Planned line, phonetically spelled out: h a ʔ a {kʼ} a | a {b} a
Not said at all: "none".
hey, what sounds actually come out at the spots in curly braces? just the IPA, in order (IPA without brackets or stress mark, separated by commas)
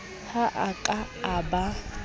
kʼ, b